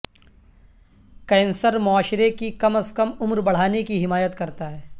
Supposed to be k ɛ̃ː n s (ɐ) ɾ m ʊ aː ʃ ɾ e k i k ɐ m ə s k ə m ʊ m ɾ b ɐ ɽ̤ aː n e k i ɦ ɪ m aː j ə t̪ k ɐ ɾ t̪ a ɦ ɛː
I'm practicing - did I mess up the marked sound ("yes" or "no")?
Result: yes